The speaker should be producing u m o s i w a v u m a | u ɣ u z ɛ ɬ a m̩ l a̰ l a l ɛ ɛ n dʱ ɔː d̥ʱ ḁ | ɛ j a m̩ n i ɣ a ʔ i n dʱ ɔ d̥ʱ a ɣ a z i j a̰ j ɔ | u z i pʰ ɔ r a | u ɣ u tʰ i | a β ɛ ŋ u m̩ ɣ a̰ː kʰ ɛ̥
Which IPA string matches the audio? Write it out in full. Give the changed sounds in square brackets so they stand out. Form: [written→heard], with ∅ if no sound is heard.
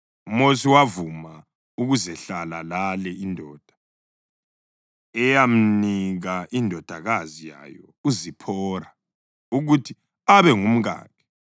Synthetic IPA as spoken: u m o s i w a v u m a | u ɣ u z ɛ ɬ a [m̩→∅] l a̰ l a l ɛ [ɛ→i] n dʱ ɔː d̥ʱ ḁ | ɛ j a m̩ n i ɣ a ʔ i n dʱ ɔ d̥ʱ a ɣ a z i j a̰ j ɔ | u z i pʰ ɔ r a | u ɣ u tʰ i | a β ɛ ŋ u m̩ ɣ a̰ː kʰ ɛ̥